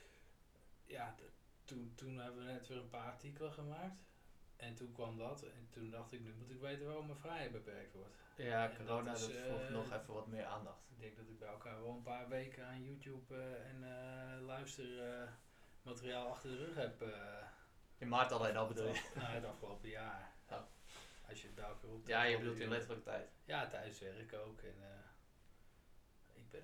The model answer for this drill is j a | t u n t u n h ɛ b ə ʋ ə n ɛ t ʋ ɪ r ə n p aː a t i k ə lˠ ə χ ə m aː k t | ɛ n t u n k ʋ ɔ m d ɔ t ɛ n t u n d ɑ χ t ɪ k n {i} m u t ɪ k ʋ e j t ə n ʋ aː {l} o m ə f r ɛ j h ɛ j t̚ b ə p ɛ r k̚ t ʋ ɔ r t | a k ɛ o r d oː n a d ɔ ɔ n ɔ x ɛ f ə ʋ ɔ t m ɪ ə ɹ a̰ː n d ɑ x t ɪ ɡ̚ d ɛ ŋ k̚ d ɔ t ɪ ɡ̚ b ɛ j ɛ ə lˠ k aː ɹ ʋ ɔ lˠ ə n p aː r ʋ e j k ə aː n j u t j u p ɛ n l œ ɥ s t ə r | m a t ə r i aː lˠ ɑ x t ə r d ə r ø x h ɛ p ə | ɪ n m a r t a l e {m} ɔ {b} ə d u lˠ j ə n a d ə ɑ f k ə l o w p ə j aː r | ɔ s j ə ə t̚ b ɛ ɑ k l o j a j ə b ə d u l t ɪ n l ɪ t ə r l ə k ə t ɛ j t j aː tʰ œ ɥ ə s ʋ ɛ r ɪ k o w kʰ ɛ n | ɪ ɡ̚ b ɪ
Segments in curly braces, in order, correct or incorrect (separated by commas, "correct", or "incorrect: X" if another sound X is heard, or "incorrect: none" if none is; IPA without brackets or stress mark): incorrect: y, incorrect: r, incorrect: n, correct